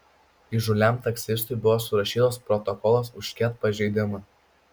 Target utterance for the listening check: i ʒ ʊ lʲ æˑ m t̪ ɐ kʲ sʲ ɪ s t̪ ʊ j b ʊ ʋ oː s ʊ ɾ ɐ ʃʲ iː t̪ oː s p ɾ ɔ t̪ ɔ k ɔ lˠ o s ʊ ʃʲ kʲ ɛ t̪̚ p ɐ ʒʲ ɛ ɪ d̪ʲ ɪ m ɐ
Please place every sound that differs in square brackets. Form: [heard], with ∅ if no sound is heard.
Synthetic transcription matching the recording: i ʒ ʊ lʲ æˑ m t̪ ɐ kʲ sʲ ɪ s t̪ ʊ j b ʊ ʋ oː s ʊ ɾ ɐ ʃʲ iː t̪ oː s p ɾ ɔ t̪ ɔ k ɔ lˠ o s ʊ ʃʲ kʲ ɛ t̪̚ p ɐ ʒʲ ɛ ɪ d̪ʲ ɪ m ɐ